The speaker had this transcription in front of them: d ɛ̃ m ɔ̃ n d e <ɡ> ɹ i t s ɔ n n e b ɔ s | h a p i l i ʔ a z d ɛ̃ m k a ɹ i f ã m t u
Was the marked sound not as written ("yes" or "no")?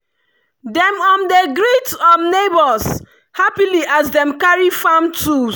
no